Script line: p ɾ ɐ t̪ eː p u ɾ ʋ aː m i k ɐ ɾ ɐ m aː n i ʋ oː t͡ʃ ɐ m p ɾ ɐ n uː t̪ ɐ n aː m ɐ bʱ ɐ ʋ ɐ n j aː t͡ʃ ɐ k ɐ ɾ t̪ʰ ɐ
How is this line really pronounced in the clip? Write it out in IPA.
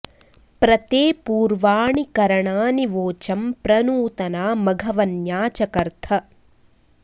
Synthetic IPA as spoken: p ɾ ɐ t̪ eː p uː ɾ ʋ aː ɳ i k ɐ ɾ ɐ ɳ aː n i ʋ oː t͡ʃ ɐ m p ɾ ɐ n uː t̪ ɐ n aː m ɐ ɡʱ ɐ ʋ ɐ n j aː t͡ʃ ɐ k ɐ ɾ t̪ʰ ɐ